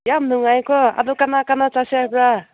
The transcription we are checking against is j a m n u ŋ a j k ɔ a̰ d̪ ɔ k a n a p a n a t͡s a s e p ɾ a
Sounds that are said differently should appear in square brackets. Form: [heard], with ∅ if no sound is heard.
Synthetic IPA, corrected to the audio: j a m n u ŋ a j k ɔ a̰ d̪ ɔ k a n a [k] a n a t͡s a s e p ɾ a